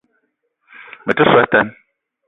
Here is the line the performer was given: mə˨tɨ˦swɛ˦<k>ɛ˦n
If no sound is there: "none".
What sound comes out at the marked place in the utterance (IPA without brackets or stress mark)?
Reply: t